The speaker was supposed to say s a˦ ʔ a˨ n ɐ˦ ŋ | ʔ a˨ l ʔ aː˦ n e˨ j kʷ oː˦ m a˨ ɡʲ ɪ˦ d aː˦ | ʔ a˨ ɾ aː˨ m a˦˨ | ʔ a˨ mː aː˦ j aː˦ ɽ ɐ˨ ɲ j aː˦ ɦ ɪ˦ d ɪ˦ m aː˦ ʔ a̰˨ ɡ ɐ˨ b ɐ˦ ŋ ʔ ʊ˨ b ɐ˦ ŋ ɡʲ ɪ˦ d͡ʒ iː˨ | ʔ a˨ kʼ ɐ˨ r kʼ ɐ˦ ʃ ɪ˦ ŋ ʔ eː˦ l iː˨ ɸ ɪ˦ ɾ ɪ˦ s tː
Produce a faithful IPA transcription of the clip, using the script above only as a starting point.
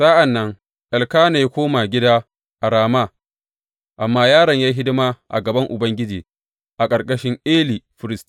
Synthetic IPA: s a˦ ʔ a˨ nː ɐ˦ ŋ | ʔ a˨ l k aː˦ n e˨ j kʷ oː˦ m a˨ ɡʲ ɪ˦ d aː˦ | ʔ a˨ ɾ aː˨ m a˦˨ | ʔ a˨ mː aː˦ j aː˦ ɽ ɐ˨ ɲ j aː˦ ɦ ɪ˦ d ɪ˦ m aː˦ ʔ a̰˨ ɡ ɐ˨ b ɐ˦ ŋ ʔ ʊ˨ b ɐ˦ ŋ ɡʲ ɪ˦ d͡ʒ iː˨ | ʔ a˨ kʼ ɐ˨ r kʼ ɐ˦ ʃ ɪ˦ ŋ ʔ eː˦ l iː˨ ɸ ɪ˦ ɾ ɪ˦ s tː